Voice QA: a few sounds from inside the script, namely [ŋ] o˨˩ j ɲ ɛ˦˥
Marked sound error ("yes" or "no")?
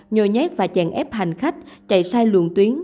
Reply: yes